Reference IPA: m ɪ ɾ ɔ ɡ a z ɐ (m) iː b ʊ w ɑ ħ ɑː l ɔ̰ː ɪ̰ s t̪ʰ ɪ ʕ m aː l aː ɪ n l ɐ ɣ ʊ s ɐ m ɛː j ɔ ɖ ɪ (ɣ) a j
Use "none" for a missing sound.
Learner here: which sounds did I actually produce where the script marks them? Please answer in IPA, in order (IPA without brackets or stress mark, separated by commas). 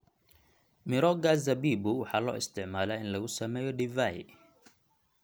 b, v